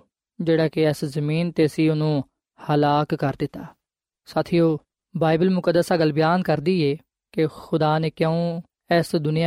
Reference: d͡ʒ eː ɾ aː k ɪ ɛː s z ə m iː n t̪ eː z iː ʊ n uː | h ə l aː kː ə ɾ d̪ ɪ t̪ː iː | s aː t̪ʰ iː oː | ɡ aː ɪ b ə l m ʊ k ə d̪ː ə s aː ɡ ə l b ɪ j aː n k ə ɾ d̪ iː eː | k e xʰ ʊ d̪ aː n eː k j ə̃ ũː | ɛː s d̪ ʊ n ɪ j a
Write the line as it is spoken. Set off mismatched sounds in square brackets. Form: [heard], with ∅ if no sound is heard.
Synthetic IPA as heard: d͡ʒ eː [ɽ] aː k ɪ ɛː s z ə m iː n t̪ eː [s] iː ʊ n [ũː] | h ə l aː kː ə ɾ d̪ ɪ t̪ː [aː] | s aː t̪ʰ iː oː | [b] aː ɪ b ə l m ʊ k ə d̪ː ə s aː ɡ ə l b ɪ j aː n k ə ɾ d̪ iː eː | k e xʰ ʊ d̪ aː n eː k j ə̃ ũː | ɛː s d̪ ʊ n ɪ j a